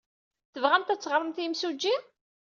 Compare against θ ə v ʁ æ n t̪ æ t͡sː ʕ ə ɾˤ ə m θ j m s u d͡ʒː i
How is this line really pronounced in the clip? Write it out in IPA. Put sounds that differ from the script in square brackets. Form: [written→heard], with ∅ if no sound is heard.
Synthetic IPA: θ ə v ʁ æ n t̪ æ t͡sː [ʕ→ʁ] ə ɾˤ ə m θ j m s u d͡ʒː i